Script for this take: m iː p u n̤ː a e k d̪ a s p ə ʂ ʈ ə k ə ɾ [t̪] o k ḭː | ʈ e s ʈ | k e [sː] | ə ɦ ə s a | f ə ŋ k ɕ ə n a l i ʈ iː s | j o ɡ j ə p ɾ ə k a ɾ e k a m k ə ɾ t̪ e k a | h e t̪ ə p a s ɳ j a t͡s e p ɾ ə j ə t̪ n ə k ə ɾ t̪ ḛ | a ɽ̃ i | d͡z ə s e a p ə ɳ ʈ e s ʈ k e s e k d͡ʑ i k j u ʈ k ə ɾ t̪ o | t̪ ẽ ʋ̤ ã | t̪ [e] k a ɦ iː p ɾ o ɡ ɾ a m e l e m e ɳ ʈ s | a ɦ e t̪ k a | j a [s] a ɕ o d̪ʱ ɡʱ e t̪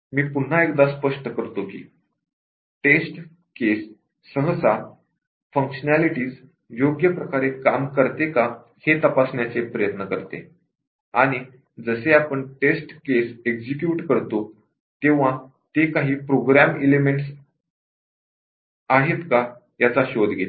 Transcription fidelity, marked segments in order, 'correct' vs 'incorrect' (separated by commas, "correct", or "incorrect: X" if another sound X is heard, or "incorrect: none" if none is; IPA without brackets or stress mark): correct, correct, correct, incorrect: t͡s